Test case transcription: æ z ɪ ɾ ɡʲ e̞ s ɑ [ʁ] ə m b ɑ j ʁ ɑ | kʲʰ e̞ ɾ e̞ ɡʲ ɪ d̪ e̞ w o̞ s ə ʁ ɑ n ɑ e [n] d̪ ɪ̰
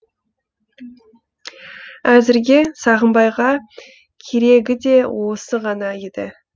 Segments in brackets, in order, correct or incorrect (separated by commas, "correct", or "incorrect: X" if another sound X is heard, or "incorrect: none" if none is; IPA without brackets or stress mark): correct, incorrect: none